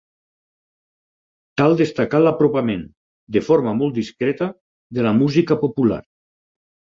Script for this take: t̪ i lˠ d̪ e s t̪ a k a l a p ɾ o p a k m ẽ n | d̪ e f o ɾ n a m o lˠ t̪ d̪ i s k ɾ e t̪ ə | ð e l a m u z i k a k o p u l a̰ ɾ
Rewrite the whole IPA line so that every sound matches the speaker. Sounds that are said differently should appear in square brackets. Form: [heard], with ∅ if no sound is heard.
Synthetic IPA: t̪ [a] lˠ d̪ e s t̪ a k a l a p ɾ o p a [∅] m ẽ n | d̪ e f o ɾ [m] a m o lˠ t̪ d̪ i s k ɾ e t̪ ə | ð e l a m u z i k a [p] o p u l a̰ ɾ